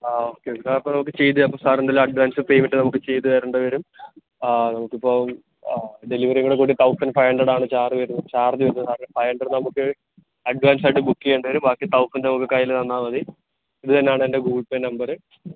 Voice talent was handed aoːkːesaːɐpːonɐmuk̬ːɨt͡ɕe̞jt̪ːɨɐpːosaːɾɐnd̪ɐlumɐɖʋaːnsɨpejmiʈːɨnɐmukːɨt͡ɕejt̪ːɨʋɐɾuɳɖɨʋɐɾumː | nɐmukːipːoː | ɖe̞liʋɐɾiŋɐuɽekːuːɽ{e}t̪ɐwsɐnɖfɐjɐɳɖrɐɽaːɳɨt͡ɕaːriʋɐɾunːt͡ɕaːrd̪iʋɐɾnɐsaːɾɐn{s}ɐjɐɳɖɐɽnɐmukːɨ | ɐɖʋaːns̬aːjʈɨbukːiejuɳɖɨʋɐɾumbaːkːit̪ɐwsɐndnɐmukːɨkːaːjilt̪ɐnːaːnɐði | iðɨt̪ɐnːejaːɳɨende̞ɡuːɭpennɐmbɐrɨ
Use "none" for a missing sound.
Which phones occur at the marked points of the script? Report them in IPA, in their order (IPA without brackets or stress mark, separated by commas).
i, f